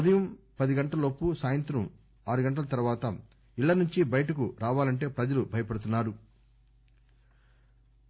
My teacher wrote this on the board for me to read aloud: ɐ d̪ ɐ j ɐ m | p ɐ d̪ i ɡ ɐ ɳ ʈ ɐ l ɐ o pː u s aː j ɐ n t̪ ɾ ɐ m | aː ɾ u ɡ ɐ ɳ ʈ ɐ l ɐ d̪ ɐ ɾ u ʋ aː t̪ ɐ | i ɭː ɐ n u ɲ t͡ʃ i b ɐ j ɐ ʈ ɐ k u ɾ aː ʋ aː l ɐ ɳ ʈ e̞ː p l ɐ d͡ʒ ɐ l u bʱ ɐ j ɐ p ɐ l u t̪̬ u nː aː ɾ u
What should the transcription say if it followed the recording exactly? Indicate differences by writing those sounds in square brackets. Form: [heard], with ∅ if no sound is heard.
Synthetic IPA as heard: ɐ d̪ ɐ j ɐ m | p ɐ d̪ i ɡ ɐ ɳ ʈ ɐ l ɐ o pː u s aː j ɐ n t̪ ɾ ɐ m | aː ɾ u ɡ ɐ ɳ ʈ ɐ l ɐ [t̪] ɐ ɾ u ʋ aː t̪ ɐ | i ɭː ɐ n u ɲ t͡ʃ i b ɐ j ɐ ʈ ɐ k u ɾ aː ʋ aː l ɐ ɳ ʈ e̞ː p [ɾ] ɐ d͡ʒ ɐ l u bʱ ɐ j ɐ p ɐ [ɽ] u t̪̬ u nː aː ɾ u